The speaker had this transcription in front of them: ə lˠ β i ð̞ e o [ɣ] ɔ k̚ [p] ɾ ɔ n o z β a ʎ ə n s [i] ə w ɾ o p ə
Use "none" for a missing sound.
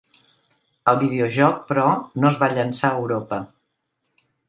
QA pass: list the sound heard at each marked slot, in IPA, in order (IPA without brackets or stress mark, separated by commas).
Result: ʒ, p, a